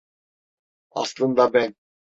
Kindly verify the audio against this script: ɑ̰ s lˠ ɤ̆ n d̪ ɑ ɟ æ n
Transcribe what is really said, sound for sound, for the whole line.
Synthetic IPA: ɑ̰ s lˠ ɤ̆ n d̪ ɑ b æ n